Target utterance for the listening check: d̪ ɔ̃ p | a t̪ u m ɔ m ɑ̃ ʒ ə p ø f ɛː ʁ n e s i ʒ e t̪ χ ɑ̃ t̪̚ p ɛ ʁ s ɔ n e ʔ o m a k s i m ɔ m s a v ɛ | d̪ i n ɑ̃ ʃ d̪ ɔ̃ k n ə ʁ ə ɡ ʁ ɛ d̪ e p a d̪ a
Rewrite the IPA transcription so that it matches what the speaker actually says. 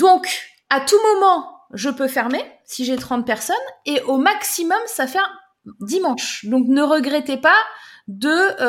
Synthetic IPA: d̪ ɔ̃ k | a t̪ u m ɔ m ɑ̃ ʒ ə p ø f ɛ ʁ m e s i ʒ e t̪ χ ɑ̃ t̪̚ p ɛ ʁ s ɔ n e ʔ o m a k s i m ɔ m s a f ɛ | d̪ i m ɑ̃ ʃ d̪ ɔ̃ k n ə ʁ ə ɡ ʁ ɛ t̪ e p a d̪ ə